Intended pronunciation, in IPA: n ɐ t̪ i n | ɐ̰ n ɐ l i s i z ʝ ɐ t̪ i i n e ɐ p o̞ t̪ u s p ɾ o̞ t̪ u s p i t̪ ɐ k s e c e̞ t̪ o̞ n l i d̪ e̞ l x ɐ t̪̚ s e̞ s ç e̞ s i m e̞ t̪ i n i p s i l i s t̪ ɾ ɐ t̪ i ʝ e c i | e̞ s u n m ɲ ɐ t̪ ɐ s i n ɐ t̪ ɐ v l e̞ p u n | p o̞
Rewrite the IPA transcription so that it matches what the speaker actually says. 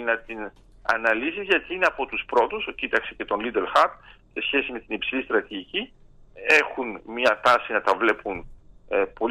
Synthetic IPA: n ɐ t̪ i n | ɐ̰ n ɐ l i s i z ʝ ɐ t̪ i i n e ɐ p o̞ t̪ u s p ɾ o̞ t̪ u s c i t̪ ɐ k s e c e̞ t̪ o̞ n l i d̪ e̞ l x ɐ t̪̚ s e̞ s ç e̞ s i m e̞ t̪ i n i p s i l i s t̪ ɾ ɐ t̪ i ʝ i c i | e̞ x u n m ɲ ɐ t̪ ɐ s i n ɐ t̪ ɐ v l e̞ p u n | p o̞